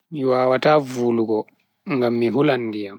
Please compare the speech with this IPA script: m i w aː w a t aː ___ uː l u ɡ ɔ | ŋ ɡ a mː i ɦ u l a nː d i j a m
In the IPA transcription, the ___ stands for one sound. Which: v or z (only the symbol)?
v